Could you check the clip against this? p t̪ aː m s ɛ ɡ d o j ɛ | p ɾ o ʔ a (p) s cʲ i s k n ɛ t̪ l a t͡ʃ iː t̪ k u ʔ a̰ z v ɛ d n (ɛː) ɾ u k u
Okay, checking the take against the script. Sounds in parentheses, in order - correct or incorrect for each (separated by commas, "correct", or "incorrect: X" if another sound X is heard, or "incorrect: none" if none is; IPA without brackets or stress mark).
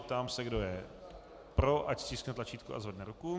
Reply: incorrect: c, incorrect: ɛ